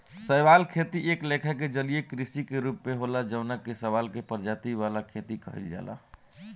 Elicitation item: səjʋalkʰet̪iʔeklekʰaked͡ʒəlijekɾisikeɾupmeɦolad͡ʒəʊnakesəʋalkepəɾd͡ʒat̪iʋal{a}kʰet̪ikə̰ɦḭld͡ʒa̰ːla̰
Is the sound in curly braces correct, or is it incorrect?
correct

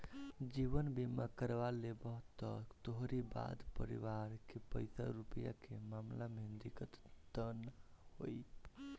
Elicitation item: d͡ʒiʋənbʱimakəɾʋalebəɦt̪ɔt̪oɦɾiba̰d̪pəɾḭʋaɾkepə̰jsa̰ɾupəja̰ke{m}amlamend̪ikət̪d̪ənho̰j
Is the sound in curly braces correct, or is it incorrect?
correct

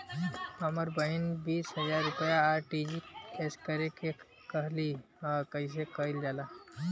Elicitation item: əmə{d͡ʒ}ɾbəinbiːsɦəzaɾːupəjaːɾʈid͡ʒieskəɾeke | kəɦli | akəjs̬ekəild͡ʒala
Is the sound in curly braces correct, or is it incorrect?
incorrect: none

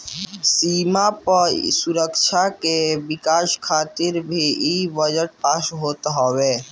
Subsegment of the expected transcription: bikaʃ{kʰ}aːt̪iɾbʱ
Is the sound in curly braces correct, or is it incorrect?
correct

